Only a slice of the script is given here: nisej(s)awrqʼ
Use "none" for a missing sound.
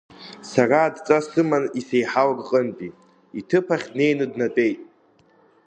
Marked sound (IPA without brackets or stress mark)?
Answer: ħ